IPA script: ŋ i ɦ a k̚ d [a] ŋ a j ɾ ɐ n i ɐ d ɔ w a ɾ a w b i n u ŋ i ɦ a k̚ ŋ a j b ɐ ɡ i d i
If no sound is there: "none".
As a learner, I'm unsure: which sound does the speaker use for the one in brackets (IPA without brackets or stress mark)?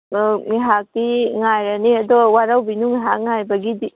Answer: i